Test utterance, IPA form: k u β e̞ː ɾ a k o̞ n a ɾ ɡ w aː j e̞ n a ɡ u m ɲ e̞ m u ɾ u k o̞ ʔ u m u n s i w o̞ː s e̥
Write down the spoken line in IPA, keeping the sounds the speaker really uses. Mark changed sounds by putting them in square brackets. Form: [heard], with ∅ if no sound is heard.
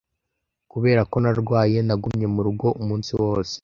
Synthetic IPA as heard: k u β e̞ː ɾ a k o̞ n a ɾ ɡ w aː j e̞ n a ɡ u m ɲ e̞ m u ɾ u [ɡ] o̞ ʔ u m [uː] n s i w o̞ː s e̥